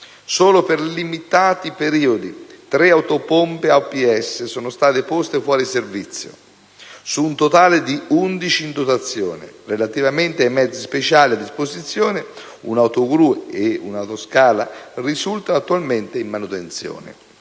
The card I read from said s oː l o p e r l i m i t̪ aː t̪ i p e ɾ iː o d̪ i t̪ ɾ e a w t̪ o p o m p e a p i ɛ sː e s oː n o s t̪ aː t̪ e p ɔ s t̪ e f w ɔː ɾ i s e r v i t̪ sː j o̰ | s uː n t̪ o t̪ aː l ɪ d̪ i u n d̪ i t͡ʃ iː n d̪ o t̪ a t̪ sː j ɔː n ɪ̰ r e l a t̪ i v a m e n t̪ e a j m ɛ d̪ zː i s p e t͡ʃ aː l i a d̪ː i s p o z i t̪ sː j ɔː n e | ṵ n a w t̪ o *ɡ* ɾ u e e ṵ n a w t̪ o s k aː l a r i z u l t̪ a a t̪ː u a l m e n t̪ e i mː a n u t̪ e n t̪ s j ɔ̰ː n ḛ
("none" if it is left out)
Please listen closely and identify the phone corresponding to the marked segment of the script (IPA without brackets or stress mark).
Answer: ɡ